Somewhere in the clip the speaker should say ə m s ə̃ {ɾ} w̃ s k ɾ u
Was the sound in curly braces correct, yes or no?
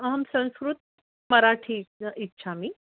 no